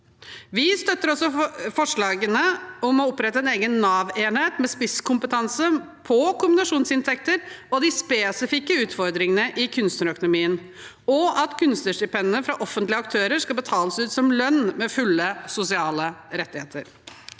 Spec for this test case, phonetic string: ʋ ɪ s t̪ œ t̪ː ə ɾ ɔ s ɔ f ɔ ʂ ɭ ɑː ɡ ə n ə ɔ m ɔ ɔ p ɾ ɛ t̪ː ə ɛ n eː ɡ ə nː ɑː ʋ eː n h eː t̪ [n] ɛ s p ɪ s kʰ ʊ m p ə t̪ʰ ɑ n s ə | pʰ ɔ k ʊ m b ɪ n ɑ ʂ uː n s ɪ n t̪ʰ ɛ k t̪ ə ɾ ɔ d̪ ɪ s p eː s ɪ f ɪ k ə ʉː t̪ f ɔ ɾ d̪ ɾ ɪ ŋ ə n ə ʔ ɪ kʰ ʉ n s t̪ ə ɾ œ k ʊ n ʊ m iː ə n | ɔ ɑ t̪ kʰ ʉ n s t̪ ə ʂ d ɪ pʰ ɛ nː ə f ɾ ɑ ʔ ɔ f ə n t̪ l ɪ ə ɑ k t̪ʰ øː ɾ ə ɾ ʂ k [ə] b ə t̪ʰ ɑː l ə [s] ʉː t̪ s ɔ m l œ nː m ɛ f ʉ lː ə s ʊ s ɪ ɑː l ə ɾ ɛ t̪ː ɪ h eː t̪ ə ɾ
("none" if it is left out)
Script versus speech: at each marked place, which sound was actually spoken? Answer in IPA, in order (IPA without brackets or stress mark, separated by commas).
m, ɑ, s